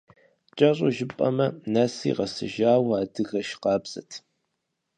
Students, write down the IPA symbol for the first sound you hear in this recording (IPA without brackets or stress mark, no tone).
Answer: t͡ʃʼ